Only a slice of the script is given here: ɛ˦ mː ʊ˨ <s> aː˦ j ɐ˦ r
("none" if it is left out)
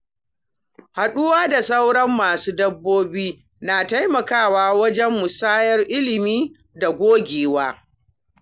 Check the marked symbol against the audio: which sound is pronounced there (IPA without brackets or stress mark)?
s